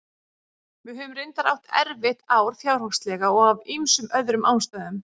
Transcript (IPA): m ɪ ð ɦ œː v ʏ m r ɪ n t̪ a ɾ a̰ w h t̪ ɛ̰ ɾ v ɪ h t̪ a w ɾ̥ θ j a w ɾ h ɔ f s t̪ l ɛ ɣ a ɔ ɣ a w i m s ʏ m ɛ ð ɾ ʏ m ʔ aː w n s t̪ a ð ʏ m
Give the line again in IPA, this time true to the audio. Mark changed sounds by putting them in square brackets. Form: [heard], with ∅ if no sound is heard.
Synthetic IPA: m ɪ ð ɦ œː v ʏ m r ɪ n t̪ a ɾ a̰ w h t̪ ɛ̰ ɾ v ɪ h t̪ a w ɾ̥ θ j a w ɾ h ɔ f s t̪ l ɛ ɣ a ɔ ɣ a [v] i m s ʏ m [œ] ð ɾ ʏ m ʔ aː w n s t̪ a ð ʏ m

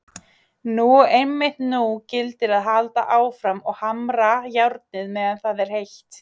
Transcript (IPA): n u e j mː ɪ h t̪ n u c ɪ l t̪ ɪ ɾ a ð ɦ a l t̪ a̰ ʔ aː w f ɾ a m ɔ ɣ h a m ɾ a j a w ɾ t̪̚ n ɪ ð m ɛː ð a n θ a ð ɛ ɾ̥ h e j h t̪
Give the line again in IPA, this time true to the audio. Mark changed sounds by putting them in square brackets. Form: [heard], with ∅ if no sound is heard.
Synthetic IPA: n u e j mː ɪ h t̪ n u c ɪ l t̪ ɪ ɾ a ð ɦ a l t̪ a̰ ʔ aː w f ɾ a m ɔ ɣ h a m ɾ a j a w ɾ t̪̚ n ɪ ð m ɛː ð a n θ a ð ɛ ɾ̥ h e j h t̪

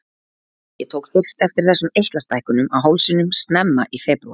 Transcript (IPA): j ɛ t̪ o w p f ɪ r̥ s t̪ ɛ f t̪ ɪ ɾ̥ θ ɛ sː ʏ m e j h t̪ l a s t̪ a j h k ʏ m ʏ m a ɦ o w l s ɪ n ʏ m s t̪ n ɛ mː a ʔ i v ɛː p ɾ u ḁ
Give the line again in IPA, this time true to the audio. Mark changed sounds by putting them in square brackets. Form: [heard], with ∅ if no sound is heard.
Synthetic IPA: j ɛ [t̪ʰ] o w [k] f ɪ r̥ s t̪ ɛ f t̪ ɪ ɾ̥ θ ɛ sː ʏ m e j h t̪ l a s t̪ a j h k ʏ [n] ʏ m a ɦ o w l s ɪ n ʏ m s t̪ n ɛ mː a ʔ i [f] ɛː p ɾ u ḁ

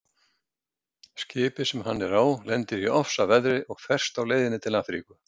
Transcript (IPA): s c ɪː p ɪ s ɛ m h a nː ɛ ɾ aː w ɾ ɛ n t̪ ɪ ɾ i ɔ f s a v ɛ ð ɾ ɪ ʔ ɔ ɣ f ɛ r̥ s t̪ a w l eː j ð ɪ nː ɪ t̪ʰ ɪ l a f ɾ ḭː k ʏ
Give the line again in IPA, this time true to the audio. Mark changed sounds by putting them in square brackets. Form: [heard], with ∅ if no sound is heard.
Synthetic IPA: s c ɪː p ɪ s ɛ m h a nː ɛ ɾ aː w [l] ɛ n t̪ ɪ ɾ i ɔ f s a v ɛ ð ɾ ɪ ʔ ɔ ɣ f ɛ r̥ s t̪ a w l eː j ð ɪ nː ɪ t̪ʰ ɪ l a f ɾ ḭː k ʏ

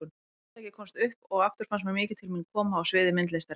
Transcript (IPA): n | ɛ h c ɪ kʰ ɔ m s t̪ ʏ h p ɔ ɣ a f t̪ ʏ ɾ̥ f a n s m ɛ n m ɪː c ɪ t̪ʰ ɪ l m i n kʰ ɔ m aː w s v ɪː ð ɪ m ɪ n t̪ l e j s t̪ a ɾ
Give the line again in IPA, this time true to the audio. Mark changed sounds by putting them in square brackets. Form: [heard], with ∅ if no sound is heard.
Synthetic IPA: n | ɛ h c ɪ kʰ ɔ m s t̪ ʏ h p ɔ ɣ a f t̪ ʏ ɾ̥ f a n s m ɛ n m ɪː c ɪ t̪ʰ ɪ l m i n kʰ [ɔː] m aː w s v ɪː ð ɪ m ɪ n t̪ l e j s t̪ a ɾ

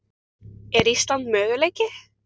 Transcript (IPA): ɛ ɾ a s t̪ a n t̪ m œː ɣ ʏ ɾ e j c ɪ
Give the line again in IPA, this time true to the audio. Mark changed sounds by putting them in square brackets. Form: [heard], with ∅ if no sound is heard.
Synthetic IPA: ɛ ɾ [i] s t̪ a n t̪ m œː ɣ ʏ [l] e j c ɪ

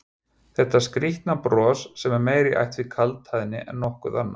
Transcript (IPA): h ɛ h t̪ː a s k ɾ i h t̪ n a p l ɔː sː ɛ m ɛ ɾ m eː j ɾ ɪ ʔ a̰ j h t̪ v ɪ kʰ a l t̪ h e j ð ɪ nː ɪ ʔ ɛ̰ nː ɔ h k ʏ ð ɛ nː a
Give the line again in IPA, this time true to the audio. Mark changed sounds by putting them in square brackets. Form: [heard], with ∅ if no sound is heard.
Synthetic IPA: [θ] ɛ h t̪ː a s k ɾ i h t̪ n a p [ɾ] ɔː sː ɛ m ɛ ɾ m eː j ɾ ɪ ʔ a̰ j h t̪ v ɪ kʰ a l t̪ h [a] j ð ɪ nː ɪ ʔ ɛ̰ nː ɔ h k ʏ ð [a] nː a

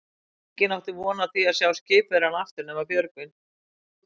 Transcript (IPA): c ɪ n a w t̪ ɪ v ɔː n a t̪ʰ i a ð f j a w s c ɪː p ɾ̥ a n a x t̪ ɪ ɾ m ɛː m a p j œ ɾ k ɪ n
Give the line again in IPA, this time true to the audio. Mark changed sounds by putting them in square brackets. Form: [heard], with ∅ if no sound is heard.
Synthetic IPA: c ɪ n a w t̪ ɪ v ɔː n a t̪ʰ i a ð [s] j a w s c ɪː p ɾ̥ a n a [f] t̪ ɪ ɾ [n] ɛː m a p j œ ɾ k ɪ n

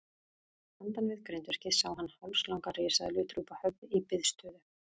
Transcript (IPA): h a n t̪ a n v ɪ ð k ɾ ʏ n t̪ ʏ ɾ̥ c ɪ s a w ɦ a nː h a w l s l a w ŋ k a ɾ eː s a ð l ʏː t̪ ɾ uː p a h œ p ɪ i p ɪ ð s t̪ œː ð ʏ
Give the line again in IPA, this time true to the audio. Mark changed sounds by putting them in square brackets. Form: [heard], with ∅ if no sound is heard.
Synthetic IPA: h a n t̪ a n v ɪ ð k ɾ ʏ n t̪ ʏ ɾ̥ c ɪ s a w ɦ a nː h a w l s l a w ŋ k a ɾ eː s a ð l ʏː t̪ ɾ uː p a h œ p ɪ i p ɪ ð s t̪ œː ð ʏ

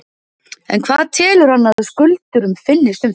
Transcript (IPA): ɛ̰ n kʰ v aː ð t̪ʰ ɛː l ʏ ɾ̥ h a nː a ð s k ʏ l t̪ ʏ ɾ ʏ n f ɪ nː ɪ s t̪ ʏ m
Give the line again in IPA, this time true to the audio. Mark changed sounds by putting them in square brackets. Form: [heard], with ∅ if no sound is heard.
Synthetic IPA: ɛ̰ n kʰ v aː ð t̪ʰ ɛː l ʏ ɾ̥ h a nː a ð s k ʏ l t̪ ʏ ɾ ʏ [m] f ɪ nː ɪ s t̪ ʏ m

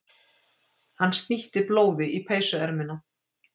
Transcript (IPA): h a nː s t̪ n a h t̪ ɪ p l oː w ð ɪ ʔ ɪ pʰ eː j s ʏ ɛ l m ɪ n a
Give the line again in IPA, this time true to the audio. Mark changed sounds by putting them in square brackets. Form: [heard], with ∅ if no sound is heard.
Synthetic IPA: h a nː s t̪ n [i] h t̪ ɪ p l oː w ð ɪ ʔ [i] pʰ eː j s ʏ ɛ [ɾ] m ɪ n a

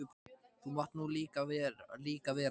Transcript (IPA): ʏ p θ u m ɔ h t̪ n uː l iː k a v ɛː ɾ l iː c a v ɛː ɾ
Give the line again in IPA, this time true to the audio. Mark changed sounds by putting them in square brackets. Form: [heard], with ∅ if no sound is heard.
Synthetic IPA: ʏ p θ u m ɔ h t̪ n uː l iː k a v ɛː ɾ l iː [k] a v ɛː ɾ

